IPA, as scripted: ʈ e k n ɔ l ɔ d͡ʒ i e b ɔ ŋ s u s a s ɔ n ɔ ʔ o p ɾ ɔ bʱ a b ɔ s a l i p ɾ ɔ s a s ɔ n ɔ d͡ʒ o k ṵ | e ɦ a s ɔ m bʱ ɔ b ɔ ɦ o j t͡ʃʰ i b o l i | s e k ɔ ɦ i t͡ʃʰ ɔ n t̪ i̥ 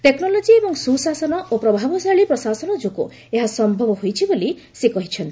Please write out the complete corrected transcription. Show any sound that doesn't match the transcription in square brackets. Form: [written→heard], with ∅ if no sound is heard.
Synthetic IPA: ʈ e k n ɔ l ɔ d͡ʒ i e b ɔ ŋ s u s a s ɔ n ɔ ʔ o p ɾ ɔ bʱ a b ɔ s a [l→ɭ] i p ɾ ɔ s a s ɔ n ɔ d͡ʒ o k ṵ | e ɦ a s ɔ m bʱ ɔ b ɔ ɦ o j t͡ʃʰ i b o l i | s e k ɔ ɦ i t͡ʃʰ ɔ n t̪ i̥